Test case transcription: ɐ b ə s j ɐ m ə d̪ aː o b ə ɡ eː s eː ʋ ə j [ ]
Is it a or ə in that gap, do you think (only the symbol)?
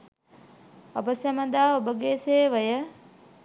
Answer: ə